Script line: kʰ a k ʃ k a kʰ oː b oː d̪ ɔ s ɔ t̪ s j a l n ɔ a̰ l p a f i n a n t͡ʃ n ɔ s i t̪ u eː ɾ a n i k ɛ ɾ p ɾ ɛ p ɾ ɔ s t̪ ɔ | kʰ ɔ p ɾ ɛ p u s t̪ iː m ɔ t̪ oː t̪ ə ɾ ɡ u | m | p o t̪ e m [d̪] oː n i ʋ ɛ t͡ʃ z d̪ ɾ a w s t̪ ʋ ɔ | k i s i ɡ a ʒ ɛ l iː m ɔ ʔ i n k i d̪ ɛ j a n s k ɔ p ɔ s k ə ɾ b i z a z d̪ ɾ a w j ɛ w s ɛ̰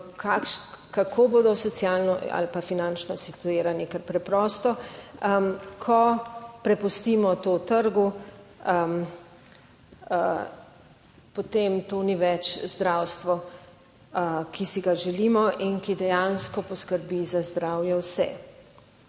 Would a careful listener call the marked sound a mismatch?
yes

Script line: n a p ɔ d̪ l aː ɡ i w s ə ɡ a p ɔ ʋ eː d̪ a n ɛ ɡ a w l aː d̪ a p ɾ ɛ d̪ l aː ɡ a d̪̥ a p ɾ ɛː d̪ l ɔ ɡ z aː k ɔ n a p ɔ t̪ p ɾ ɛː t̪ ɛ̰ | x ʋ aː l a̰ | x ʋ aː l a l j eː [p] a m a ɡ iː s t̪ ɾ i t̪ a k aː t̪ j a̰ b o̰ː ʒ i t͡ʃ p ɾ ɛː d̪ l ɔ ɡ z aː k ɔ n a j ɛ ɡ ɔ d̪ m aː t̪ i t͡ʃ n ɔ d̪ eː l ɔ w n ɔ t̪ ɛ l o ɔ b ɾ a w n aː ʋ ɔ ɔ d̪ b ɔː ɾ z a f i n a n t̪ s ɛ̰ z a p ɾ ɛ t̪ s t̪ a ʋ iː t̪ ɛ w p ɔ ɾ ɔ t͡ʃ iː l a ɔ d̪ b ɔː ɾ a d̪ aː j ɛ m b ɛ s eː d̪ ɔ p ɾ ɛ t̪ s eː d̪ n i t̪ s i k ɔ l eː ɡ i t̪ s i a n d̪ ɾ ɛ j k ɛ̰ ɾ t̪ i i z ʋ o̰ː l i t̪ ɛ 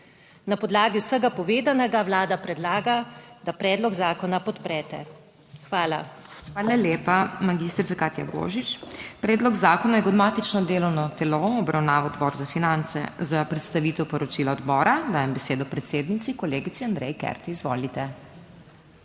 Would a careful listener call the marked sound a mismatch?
no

